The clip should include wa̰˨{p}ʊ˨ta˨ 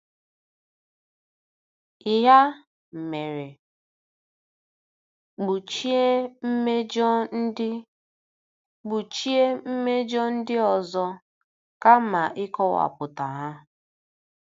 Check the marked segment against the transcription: correct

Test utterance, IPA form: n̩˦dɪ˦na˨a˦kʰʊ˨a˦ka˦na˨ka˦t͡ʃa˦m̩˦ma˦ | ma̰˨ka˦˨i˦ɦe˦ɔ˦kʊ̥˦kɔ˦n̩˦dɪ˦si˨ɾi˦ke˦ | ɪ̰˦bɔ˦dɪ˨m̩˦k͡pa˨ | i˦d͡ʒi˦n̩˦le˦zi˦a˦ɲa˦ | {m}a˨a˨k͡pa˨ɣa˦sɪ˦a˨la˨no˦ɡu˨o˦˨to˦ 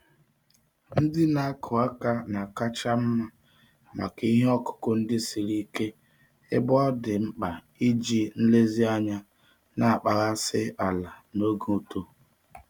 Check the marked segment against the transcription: incorrect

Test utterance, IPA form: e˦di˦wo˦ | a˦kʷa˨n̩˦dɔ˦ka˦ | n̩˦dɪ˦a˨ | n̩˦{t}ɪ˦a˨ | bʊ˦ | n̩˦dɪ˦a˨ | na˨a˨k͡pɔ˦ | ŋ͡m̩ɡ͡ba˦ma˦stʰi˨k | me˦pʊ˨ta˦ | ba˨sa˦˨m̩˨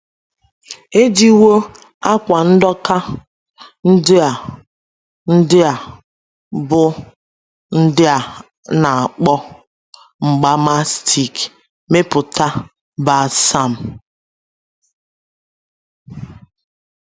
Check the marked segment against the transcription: incorrect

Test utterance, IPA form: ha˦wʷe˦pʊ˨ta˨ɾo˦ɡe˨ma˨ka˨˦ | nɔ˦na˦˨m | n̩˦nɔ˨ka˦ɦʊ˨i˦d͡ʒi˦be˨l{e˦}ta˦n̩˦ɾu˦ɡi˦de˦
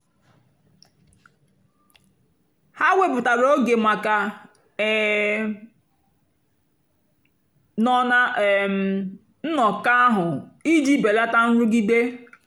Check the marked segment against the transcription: incorrect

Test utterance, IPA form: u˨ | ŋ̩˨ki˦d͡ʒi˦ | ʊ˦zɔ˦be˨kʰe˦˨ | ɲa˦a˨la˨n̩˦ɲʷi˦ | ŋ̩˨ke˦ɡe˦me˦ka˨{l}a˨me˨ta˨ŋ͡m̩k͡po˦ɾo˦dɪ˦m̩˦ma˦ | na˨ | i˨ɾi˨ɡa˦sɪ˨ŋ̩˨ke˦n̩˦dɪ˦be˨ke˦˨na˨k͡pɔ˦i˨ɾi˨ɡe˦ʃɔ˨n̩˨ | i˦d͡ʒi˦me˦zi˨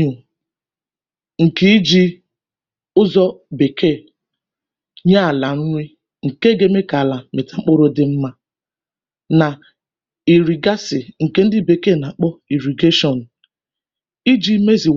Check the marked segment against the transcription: correct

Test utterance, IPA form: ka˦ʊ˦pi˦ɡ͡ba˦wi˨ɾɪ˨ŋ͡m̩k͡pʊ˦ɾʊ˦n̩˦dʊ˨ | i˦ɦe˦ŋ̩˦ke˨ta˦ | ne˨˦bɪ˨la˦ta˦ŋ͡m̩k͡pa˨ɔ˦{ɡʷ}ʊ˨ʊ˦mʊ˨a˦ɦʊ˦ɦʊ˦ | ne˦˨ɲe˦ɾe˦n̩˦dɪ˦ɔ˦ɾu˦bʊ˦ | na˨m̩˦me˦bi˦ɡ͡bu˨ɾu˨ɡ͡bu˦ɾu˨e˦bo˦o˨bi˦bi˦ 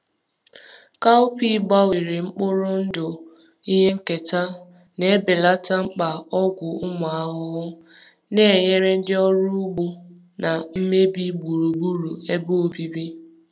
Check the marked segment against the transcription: correct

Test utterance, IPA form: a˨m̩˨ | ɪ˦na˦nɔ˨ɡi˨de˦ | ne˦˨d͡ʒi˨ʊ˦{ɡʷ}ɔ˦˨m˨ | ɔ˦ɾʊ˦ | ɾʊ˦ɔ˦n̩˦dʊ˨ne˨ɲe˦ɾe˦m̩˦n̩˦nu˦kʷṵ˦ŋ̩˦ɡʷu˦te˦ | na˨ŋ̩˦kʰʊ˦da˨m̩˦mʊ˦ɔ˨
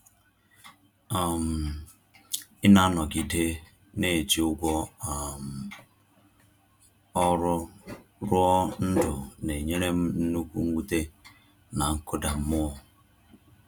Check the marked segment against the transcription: correct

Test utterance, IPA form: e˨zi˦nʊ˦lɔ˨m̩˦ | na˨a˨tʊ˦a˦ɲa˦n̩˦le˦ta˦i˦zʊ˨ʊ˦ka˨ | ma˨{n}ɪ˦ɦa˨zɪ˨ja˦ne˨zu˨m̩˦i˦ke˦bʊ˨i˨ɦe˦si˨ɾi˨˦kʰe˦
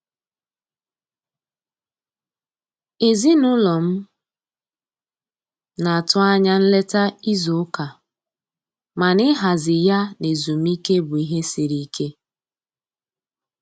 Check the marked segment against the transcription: correct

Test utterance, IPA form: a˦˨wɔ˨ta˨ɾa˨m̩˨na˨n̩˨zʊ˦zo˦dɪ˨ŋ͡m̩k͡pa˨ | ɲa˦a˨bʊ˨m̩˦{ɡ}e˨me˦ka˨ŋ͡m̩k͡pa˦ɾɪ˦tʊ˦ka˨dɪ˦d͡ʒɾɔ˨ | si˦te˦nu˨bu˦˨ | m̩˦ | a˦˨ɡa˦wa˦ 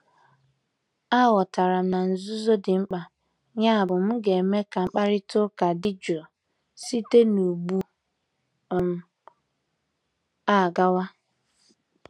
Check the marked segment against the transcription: correct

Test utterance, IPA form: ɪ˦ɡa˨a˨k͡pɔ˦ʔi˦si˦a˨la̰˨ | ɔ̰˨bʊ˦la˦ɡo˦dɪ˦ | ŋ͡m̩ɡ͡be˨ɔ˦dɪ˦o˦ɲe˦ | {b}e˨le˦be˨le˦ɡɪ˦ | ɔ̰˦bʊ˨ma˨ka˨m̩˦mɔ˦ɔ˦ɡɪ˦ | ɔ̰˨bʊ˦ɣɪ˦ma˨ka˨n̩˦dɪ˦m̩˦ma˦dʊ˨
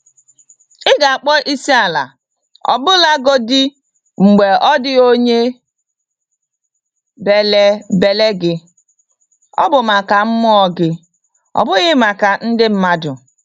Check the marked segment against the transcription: correct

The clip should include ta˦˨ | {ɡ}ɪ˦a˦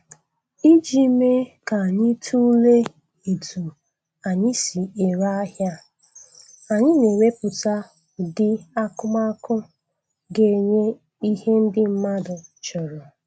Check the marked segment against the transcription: incorrect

